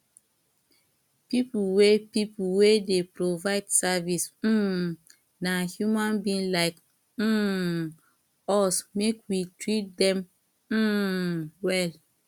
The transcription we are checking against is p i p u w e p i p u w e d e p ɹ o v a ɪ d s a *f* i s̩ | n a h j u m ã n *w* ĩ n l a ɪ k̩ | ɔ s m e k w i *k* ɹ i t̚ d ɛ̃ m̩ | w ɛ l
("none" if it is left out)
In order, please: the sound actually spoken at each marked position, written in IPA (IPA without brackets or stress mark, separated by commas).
v, b, t